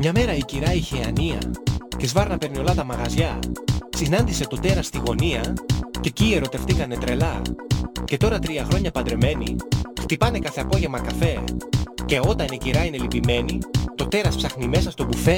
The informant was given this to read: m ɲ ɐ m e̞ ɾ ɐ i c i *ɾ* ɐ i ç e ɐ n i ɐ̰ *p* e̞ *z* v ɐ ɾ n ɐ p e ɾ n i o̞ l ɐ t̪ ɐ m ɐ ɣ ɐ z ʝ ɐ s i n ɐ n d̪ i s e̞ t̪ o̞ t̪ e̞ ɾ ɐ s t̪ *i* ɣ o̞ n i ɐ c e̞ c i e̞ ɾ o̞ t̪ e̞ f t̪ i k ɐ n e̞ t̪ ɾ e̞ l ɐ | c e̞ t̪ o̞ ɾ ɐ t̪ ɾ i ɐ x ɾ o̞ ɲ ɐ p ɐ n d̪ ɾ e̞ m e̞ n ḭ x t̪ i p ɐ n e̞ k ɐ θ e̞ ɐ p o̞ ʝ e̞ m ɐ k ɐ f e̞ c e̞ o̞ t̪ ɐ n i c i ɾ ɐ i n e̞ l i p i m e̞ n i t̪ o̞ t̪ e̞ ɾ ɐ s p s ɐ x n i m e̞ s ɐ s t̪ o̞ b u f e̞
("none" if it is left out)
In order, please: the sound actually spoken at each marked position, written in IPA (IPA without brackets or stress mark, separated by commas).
ɾ, c, z, i